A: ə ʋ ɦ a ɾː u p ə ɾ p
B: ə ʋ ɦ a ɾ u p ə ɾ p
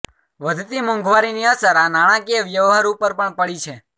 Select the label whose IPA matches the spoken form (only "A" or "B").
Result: B